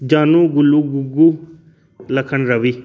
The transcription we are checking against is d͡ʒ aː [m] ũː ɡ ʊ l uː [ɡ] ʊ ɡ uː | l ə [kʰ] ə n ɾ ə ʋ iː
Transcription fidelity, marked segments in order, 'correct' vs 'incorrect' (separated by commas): incorrect, correct, correct